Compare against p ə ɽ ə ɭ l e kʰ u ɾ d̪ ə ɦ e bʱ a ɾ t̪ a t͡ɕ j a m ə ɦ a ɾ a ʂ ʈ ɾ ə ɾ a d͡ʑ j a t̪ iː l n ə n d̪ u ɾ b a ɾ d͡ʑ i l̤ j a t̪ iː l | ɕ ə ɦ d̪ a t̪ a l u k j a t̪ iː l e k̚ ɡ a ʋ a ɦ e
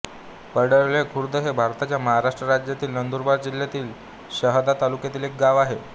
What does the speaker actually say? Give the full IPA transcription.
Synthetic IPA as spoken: p ə ɽ ə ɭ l e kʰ u ɾ d̪ ə ɦ e bʱ a ɾ t̪ a t͡ɕ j a m ə ɦ a ɾ a ʂ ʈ ɾ ə ɾ a d͡ʑ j a t̪ iː l n ə n d̪ u ɾ b a ɾ d͡ʑ i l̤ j a t̪ iː l | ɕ ə ɦ d̪ a t̪ a l u k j a t̪ iː l e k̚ ɡ a ʋ a ɦ e